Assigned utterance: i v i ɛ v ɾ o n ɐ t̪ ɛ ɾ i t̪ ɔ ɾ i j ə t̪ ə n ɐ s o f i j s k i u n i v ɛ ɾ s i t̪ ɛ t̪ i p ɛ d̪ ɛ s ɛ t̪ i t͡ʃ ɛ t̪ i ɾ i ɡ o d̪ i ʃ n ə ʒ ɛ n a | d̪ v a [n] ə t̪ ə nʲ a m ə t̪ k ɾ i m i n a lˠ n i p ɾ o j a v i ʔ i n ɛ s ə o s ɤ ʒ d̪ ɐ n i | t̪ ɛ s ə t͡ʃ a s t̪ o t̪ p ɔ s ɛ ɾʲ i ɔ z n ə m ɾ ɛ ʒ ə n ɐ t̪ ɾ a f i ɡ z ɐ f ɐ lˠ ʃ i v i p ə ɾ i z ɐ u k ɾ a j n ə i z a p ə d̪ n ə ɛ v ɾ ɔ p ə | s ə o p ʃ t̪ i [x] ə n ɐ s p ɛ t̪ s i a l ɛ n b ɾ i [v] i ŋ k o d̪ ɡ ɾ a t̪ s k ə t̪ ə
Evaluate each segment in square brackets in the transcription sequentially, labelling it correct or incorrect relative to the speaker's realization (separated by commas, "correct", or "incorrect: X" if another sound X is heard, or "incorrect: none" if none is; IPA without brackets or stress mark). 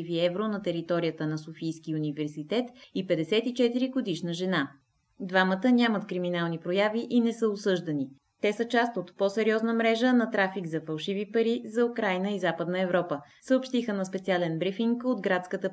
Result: incorrect: m, correct, incorrect: f